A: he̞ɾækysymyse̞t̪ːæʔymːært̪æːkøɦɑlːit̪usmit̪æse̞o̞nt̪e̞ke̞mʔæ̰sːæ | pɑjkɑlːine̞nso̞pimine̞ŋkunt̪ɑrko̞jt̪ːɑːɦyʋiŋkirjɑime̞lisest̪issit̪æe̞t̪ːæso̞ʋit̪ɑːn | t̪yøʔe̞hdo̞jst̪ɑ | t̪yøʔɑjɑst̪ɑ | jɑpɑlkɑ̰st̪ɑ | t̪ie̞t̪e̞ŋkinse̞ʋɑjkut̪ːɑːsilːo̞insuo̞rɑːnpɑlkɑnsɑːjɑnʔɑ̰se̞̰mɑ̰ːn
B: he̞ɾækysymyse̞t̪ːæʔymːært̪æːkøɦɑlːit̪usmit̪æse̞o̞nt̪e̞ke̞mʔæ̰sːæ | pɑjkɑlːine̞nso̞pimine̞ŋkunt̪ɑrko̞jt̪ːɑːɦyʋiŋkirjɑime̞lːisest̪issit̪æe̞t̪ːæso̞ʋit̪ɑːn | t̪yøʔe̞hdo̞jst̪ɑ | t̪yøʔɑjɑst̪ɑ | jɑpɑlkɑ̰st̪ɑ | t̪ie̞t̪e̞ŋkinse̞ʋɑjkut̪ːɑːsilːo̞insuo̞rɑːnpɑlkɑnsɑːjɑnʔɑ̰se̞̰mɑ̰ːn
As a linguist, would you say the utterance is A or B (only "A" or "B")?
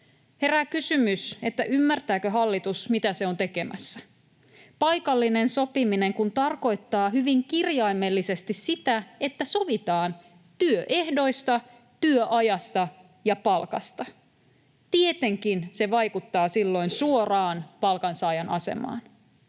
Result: B